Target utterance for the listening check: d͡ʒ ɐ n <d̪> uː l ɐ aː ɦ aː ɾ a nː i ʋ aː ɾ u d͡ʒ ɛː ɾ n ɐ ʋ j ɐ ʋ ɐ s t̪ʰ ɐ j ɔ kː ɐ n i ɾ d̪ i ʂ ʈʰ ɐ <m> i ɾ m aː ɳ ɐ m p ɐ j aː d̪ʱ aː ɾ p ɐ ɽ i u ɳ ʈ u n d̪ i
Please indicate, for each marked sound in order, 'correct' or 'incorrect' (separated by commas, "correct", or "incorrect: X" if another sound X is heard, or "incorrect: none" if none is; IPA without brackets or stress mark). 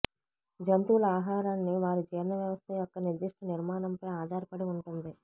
incorrect: t̪, incorrect: n